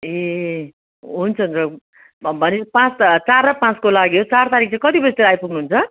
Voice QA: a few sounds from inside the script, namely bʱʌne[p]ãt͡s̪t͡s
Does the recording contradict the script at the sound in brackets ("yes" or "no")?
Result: no